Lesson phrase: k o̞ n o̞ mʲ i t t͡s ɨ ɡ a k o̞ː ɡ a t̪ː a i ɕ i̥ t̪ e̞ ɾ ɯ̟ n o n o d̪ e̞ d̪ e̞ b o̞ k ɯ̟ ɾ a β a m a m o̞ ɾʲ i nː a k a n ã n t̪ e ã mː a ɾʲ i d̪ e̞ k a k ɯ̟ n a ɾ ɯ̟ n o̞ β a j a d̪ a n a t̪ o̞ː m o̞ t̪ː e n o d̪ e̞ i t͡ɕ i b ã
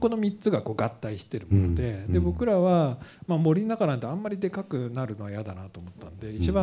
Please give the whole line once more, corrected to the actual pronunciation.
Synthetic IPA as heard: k o̞ n o̞ mʲ i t t͡s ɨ ɡ a k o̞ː ɡ a t̪ː a i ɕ i̥ t̪ e̞ ɾ ɯ̟ m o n o d̪ e̞ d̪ e̞ b o̞ k ɯ̟ ɾ a β a m a m o̞ ɾʲ i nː a k a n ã n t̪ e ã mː a ɾʲ i d̪ e̞ k a k ɯ̟ n a ɾ ɯ̟ n o̞ β a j a d̪ a n a t̪ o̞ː m o̞ t̪ː a n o d̪ e̞ i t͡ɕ i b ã

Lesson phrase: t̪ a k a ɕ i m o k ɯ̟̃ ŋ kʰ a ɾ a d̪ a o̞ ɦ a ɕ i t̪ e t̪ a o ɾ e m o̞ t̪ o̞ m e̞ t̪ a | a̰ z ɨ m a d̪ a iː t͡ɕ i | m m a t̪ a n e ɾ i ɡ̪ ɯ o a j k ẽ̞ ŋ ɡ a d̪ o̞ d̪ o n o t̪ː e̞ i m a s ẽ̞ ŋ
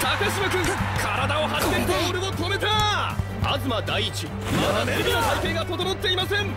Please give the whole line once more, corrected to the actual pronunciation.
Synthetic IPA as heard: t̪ a k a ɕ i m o k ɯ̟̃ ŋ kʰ a ɾ a d̪ a o̞ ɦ a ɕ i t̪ e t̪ e o ɾ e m o̞ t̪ o̞ m e̞ t̪ a | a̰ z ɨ m a d̪ a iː t͡ɕ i | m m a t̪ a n e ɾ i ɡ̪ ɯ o a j k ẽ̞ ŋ ɡ a t̪ o̞ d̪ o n o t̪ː e̞ i m a s ẽ̞ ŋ

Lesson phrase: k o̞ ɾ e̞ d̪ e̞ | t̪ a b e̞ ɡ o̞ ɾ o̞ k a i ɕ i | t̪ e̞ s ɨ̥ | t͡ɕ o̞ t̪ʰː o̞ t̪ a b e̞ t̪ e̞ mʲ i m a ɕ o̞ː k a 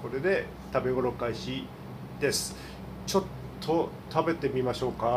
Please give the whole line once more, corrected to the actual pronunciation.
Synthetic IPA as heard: k o̞ ɾ e̞ d̪ e̞ | t̪ a b e̞ ɡ o̞ ɾ o̞ k a i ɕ i | d̪ e̞ s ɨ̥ | t͡ɕ o̞ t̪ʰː o̞ t̪ a b e̞ t̪ e̞ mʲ i m a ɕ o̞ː k a

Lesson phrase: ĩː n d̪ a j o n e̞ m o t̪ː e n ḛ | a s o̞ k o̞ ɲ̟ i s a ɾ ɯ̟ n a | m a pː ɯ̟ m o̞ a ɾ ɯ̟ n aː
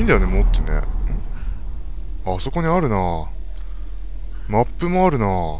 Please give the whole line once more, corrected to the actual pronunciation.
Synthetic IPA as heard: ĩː n d̪ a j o n e̞ m o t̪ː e n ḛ | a s o̞ k o̞ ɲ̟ i a ɾ ɯ̟ n a | m a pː ɯ̟ m o̞ a ɾ ɯ̟ n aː

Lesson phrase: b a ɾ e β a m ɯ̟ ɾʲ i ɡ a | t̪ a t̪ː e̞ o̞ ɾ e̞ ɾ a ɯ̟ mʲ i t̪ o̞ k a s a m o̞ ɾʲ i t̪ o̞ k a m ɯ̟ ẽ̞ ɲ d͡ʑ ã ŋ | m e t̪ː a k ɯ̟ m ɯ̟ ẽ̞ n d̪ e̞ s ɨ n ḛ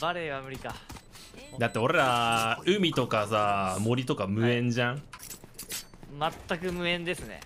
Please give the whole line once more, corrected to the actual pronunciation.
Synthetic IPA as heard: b a ɾ e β a m ɯ̟ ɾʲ i k a | d̪ a t̪ː e̞ o̞ ɾ e̞ ɾ a ɯ̟ mʲ i t̪ o̞ k a s a m o̞ ɾʲ i t̪ o̞ k a m ɯ̟ ẽ̞ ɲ d͡ʑ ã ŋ | m a t̪ː a k ɯ̟ m ɯ̟ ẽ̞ n d̪ e̞ s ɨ n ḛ

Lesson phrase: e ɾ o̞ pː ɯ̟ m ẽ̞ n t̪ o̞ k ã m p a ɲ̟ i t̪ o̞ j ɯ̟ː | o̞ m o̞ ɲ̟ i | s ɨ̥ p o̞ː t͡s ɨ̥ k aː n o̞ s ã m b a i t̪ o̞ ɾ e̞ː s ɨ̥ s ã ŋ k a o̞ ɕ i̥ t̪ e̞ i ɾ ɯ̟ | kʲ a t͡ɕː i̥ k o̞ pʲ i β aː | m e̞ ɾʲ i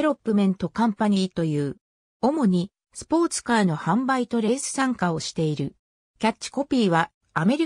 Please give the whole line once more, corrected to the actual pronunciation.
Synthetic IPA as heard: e ɾ o̞ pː ɯ̟ m ẽ̞ n t̪ o̞ k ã m p a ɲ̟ i t̪ o̞ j ɯ̟ː | o̞ m o̞ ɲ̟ i | s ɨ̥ p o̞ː t͡s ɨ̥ k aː n o̞ h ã m b a i t̪ o̞ ɾ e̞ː s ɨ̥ s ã ŋ k a o̞ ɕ i̥ t̪ e̞ i ɾ ɯ̟ | kʲ a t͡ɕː i̥ k o̞ pʲ iː β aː | m e̞ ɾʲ i

